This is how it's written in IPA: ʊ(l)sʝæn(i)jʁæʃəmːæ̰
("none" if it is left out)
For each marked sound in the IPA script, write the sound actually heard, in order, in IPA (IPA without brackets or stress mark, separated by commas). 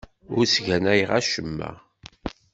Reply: ɾ, æ